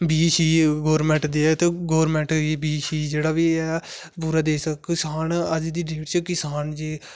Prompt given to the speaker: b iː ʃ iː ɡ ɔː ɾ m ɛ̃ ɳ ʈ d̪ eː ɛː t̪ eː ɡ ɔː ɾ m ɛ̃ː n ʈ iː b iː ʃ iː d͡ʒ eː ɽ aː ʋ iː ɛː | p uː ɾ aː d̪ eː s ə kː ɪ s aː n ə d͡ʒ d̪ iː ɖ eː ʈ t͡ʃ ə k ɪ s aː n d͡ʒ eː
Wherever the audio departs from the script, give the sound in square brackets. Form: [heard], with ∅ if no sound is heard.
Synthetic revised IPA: b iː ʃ iː ɡ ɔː ɾ m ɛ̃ ɳ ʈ d̪ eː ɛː t̪ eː ɡ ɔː ɾ m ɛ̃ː [ɳ] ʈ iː b iː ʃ iː d͡ʒ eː ɽ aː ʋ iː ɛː | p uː ɾ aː d̪ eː s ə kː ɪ s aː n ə d͡ʒ d̪ iː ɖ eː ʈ t͡ʃ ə k ɪ s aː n d͡ʒ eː